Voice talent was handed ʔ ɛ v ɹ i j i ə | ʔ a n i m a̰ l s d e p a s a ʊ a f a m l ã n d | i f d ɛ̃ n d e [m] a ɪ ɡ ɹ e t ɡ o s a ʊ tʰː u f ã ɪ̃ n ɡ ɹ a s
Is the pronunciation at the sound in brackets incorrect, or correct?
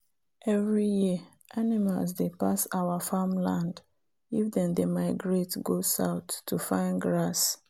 correct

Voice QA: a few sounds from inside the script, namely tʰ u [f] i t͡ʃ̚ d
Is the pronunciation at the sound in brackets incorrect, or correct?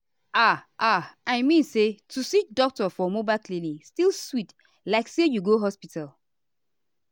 incorrect: s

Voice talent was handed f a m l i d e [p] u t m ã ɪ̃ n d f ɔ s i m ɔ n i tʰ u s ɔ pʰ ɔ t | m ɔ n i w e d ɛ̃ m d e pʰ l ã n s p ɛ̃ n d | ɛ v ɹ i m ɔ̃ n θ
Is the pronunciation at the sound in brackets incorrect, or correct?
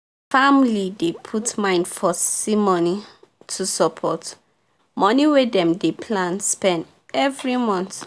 incorrect: pʰ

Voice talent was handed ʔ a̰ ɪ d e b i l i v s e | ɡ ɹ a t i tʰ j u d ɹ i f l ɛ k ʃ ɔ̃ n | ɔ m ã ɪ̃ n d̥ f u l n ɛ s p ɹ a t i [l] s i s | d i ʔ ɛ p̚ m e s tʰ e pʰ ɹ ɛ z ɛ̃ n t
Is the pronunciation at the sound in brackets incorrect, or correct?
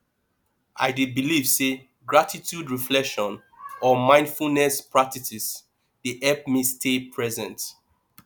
incorrect: none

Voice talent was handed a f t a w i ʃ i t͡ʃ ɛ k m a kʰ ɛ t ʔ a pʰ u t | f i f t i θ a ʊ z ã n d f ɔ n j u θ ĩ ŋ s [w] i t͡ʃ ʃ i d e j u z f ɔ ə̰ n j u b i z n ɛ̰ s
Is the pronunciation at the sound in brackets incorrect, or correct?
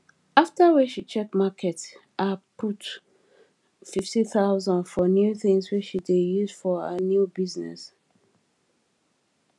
correct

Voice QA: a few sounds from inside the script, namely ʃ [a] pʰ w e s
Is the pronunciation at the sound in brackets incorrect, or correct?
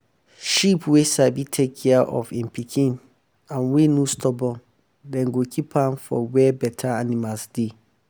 incorrect: i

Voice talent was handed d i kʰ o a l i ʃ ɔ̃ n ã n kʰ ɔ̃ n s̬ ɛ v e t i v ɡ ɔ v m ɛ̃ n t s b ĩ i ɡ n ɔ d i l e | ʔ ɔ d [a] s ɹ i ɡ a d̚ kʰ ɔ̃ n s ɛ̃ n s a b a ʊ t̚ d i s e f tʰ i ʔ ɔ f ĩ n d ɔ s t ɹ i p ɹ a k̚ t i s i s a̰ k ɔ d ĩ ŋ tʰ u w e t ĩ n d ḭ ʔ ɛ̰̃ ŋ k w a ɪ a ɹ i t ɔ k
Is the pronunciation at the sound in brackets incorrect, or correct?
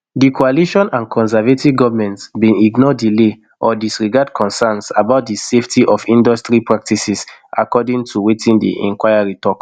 incorrect: i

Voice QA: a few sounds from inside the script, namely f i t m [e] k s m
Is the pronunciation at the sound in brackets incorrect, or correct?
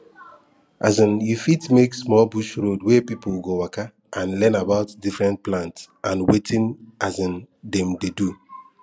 correct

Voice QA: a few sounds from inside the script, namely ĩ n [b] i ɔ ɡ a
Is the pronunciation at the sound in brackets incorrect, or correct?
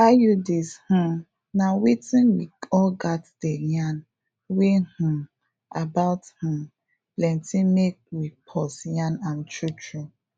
incorrect: w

